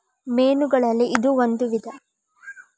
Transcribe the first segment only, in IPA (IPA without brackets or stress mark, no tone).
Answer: m